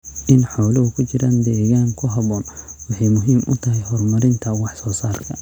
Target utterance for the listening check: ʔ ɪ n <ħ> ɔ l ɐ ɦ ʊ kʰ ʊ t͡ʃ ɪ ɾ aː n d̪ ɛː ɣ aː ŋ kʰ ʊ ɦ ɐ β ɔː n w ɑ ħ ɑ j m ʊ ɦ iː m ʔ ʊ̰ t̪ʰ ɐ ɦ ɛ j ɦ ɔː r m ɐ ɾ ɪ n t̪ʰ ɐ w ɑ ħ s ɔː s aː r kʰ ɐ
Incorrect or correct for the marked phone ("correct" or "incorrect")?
correct